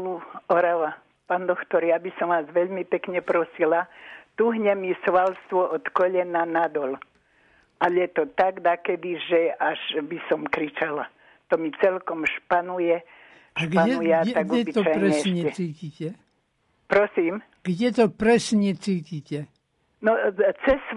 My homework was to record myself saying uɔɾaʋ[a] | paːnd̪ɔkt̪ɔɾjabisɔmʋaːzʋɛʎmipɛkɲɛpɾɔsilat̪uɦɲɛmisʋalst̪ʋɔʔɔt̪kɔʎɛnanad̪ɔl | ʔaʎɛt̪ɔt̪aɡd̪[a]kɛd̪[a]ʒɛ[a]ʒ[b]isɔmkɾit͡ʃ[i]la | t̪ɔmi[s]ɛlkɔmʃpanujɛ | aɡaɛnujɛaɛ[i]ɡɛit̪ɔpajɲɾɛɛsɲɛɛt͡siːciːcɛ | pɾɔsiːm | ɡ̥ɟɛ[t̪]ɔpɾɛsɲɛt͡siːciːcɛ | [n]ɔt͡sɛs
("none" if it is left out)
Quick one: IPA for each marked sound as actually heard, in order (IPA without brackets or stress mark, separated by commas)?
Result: a, a, i, a, b, a, t͡s, a, t̪, n